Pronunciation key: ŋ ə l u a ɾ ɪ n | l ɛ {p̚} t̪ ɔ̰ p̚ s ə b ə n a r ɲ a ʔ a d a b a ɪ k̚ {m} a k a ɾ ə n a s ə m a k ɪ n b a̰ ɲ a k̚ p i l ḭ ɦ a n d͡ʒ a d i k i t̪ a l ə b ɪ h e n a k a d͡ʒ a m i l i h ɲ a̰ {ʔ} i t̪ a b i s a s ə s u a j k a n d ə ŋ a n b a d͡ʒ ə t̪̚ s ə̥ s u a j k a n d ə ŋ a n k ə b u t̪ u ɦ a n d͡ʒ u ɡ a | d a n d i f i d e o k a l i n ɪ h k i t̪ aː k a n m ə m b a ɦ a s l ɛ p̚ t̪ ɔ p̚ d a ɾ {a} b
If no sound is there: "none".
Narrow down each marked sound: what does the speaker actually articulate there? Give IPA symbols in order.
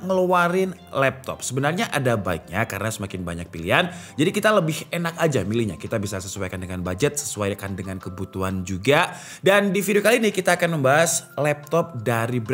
p̚, ɲ, k, i

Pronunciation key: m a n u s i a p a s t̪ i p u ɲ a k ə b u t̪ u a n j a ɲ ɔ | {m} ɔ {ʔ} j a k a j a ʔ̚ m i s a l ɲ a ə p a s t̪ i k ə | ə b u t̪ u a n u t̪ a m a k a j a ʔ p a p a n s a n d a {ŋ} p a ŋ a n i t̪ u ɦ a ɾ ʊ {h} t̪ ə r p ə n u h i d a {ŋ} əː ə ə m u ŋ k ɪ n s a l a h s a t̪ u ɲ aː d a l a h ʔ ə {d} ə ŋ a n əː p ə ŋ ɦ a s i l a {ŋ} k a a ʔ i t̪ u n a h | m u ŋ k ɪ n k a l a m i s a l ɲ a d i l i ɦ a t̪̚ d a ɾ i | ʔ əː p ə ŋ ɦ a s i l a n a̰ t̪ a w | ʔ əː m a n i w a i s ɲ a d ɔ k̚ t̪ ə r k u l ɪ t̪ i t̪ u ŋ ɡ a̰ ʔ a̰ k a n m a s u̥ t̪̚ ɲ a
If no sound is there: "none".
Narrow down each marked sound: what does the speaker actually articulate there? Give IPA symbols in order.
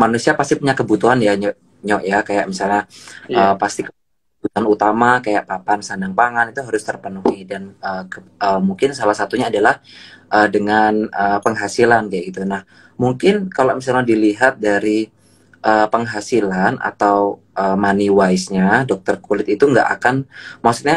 ɲ, ʔ, ŋ, s, n, d, n

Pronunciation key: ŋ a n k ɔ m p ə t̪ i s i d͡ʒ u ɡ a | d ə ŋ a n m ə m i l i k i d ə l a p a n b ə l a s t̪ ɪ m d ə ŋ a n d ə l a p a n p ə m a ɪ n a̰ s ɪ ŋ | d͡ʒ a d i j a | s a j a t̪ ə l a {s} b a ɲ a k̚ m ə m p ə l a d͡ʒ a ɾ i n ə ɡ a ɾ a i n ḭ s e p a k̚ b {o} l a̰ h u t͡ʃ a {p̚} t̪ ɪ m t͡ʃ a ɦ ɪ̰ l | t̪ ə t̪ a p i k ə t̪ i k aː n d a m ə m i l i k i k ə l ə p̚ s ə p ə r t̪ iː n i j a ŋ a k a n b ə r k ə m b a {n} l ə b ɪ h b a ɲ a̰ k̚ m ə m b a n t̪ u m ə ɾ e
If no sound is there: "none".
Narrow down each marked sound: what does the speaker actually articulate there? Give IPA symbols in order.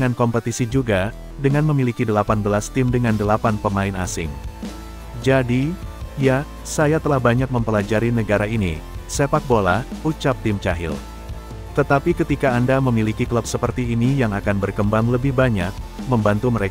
h, o, p̚, ŋ

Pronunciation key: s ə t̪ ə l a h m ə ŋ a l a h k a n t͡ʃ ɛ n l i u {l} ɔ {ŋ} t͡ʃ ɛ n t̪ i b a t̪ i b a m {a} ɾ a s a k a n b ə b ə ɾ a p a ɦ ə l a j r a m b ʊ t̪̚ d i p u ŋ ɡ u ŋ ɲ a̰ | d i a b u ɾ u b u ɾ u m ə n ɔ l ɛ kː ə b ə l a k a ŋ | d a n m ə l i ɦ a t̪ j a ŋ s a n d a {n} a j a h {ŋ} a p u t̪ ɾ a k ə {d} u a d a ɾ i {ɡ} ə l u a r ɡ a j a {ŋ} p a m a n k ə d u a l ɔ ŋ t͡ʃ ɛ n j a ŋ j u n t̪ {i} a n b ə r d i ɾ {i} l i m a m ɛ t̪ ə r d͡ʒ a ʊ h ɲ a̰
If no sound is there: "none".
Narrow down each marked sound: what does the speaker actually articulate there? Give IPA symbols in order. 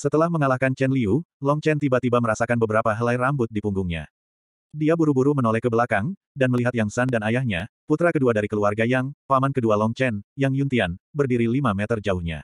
l, ŋ, ə, n, ɲ, d, k, ŋ, i, i

